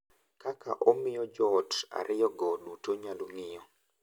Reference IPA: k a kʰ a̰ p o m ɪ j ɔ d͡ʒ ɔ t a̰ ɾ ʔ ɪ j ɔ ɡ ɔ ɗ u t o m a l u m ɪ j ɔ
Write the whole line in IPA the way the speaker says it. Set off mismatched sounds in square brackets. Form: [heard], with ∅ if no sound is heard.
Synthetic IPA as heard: k a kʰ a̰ [ʔ] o m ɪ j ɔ d͡ʒ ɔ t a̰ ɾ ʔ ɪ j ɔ ɡ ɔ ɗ u t o [ɲ] a l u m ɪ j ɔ